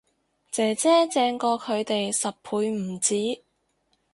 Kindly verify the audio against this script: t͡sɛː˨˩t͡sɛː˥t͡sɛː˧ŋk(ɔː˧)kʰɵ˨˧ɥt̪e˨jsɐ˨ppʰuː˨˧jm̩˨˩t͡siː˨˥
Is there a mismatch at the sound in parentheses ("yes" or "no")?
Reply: no